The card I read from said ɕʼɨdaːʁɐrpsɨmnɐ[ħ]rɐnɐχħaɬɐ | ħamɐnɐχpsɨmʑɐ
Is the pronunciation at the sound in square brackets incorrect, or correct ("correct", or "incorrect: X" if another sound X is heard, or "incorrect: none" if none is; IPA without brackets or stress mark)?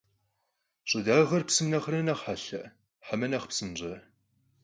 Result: incorrect: χ